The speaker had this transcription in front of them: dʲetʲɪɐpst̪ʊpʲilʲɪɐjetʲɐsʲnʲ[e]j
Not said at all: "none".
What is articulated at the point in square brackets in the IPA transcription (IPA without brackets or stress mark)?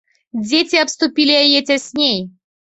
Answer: e